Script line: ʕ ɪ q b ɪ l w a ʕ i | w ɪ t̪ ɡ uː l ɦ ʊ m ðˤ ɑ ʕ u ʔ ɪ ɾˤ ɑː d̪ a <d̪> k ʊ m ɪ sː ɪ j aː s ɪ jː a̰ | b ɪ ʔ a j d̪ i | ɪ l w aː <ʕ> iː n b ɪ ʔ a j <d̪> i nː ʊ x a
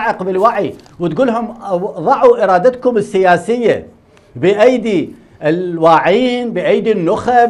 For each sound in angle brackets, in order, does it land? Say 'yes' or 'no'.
no, yes, yes

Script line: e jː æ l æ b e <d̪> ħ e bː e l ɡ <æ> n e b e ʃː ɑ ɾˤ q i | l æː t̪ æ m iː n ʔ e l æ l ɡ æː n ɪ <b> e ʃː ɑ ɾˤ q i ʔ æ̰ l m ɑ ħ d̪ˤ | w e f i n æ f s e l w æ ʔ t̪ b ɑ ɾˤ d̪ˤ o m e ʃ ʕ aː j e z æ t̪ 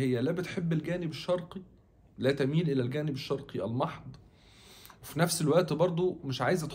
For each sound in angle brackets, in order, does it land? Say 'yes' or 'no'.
no, no, yes

